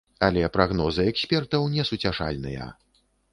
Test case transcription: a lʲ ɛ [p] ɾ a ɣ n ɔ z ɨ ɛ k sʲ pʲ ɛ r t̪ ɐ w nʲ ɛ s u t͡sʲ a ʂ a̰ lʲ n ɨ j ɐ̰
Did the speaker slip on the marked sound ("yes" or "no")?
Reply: no